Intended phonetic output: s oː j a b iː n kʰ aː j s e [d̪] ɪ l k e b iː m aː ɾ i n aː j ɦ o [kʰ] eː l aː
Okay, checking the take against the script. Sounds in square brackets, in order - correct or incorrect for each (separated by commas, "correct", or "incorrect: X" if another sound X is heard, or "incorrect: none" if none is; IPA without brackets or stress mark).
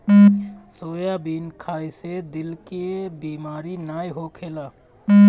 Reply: correct, correct